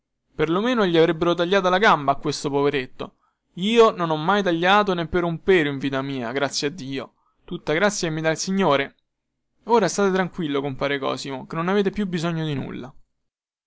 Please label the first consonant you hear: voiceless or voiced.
voiceless